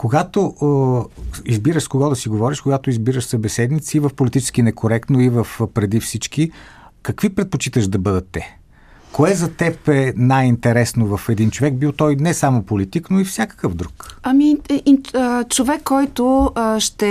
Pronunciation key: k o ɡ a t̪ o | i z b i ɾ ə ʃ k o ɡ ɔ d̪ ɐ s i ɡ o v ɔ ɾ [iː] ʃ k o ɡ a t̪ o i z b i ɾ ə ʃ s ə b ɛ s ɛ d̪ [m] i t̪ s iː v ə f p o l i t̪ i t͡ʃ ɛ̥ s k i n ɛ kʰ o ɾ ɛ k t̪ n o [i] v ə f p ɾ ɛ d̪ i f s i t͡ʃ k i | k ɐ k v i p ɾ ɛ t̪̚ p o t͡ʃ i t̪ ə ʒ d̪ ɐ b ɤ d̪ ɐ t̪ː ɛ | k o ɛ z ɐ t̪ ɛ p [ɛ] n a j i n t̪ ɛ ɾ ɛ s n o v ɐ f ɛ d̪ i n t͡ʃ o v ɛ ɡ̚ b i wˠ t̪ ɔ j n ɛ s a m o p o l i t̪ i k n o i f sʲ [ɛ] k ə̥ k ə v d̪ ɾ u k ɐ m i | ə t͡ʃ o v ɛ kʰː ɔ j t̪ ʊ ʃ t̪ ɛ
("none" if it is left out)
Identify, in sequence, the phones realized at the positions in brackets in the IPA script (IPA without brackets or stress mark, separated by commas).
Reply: i, n, i, ɛ, a